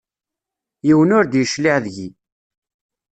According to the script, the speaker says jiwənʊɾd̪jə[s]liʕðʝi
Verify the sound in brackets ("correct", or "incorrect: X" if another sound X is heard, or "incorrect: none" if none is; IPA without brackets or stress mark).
incorrect: ʃ